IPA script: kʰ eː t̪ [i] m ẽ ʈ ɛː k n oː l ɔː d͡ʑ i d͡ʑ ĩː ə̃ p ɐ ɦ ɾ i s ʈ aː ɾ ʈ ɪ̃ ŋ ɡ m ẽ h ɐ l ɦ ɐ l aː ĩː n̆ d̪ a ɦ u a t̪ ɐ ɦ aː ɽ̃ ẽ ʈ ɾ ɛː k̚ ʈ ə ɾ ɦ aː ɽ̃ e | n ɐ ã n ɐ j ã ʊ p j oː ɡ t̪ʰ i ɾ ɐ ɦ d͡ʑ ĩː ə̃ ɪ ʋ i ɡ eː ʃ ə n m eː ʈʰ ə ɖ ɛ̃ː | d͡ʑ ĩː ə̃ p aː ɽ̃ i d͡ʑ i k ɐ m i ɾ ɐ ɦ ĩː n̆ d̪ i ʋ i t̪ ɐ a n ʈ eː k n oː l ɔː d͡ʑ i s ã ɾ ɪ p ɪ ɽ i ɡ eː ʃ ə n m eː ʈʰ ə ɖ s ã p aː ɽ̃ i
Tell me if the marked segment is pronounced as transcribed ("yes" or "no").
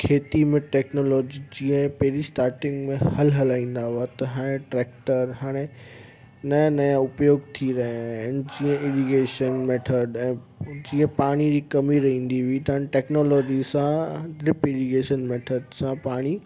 yes